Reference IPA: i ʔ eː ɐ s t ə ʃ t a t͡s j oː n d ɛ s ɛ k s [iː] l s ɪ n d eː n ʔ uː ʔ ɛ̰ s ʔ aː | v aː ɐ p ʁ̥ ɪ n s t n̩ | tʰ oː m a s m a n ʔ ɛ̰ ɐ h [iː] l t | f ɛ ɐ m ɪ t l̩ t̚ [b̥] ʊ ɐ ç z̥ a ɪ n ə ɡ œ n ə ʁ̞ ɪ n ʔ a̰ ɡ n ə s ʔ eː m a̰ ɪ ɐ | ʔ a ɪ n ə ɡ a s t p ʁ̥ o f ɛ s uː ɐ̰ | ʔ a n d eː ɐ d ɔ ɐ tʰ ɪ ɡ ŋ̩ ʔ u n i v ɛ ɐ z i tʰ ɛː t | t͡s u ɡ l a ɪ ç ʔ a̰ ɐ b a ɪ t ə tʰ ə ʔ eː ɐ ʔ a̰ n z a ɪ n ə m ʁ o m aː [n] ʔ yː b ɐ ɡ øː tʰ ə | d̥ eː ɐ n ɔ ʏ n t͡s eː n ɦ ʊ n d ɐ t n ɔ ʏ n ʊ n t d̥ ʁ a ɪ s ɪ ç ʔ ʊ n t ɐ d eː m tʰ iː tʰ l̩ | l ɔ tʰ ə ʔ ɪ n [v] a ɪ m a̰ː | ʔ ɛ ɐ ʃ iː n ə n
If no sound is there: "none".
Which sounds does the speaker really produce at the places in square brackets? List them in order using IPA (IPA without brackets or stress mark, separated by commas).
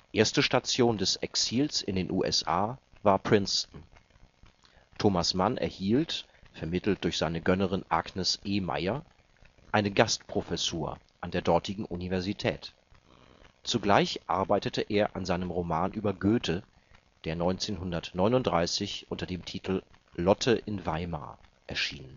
iː, iː, d̥, n, v